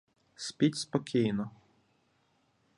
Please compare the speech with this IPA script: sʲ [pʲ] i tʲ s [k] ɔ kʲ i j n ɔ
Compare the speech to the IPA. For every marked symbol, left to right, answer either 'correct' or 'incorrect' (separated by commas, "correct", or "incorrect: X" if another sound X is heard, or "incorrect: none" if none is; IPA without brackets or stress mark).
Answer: correct, incorrect: p